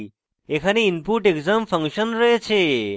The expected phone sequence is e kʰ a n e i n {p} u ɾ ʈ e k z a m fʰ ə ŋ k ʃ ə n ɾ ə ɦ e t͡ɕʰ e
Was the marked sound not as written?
no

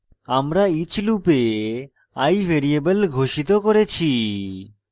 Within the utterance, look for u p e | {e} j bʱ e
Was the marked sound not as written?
yes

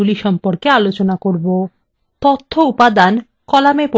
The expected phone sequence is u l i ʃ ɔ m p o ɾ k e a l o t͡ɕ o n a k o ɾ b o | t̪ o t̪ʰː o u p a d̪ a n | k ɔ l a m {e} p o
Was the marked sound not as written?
no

